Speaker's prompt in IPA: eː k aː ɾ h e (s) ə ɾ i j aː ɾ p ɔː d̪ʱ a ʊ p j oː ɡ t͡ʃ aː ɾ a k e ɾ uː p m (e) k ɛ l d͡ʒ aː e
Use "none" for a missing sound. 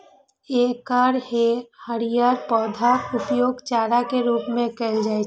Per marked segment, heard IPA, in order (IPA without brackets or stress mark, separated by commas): h, ẽ